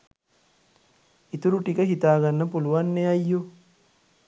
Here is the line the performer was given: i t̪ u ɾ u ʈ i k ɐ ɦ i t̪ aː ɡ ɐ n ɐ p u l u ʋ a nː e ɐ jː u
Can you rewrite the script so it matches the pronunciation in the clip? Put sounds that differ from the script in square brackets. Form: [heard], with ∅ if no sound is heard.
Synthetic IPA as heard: i t̪ u ɾ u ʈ i k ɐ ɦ i t̪ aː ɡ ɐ [nː] ɐ p u l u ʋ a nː e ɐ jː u